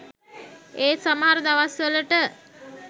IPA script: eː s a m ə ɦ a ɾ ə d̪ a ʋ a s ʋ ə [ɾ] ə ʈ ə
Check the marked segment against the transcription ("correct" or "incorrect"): incorrect